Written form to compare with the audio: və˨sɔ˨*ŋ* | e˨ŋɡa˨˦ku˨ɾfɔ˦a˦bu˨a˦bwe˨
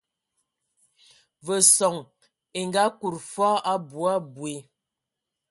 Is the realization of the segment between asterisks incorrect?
no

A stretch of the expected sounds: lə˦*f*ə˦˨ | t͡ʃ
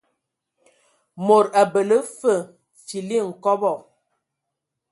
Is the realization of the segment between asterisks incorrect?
no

